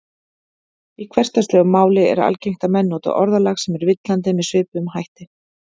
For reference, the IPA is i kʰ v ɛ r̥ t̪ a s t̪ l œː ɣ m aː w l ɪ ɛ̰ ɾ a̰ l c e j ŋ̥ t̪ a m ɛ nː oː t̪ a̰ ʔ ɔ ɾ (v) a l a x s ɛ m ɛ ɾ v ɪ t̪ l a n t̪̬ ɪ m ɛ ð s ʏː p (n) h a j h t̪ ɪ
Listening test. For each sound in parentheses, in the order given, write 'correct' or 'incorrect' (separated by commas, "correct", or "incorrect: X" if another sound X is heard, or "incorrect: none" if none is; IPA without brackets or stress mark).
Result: incorrect: ð, incorrect: m